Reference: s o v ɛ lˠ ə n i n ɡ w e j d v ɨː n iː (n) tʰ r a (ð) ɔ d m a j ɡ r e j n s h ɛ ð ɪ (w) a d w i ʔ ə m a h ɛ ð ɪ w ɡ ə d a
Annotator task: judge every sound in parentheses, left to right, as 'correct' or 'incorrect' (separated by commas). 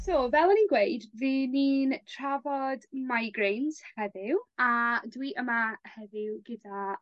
correct, incorrect, correct